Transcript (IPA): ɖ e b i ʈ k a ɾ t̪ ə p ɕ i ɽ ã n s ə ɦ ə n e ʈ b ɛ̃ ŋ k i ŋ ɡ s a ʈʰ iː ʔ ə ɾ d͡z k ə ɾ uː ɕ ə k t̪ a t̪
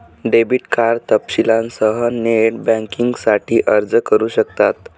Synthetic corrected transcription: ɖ e b i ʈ k a ɾ t̪ ə p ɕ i l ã n s ə ɦ ə n e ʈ b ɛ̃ ŋ k i ŋ ɡ s a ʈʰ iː ʔ ə ɾ d͡z k ə ɾ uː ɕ ə k t̪ a t̪